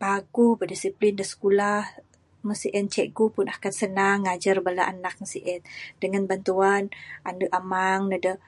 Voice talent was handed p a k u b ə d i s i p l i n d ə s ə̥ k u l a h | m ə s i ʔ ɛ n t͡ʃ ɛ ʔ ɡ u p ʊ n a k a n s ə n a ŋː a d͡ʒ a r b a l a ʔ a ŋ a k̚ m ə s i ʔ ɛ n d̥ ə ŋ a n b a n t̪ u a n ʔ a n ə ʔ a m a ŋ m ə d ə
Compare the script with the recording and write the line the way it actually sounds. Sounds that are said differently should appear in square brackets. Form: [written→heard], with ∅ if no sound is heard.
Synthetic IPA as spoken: p a [k→ɡ] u b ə d i s i p l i n d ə s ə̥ k u l a h | m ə s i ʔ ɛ n t͡ʃ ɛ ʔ ɡ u p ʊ n a k a n s ə n a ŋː a d͡ʒ a r b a l a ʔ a [ŋ→n] a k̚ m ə s i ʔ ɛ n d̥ ə ŋ a n b a n t̪ u a n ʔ a n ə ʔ a m a ŋ [m→n] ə d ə